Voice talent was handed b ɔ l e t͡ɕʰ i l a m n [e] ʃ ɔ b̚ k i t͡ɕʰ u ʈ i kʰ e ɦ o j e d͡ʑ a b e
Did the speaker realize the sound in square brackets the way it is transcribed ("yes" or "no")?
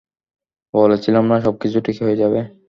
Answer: no